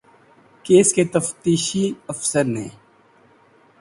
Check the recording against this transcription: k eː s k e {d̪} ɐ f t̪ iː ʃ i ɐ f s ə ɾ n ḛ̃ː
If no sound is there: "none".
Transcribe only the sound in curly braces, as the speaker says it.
t̪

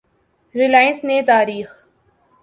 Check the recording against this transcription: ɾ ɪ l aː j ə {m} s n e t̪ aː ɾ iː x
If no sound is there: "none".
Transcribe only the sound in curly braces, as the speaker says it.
n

